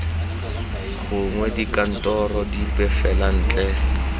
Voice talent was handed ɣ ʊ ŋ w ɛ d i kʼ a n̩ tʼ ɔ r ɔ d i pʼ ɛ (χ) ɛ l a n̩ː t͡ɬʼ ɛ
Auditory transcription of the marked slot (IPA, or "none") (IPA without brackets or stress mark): f